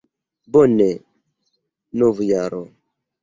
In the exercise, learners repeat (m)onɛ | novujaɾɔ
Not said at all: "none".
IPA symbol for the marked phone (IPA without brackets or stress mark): b